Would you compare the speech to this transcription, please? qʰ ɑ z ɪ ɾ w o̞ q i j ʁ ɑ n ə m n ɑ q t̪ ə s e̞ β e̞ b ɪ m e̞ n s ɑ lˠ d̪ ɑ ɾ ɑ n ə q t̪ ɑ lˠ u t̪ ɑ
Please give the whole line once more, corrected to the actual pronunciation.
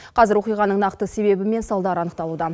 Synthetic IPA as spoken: qʰ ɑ z ɪ ɾ w o̞ q i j ʁ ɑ n ə ɴ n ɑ q t̪ ə s e̞ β e̞ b ɪ m e̞ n s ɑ lˠ d̪ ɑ ɾ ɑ n ə q t̪ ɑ lˠ u d̪ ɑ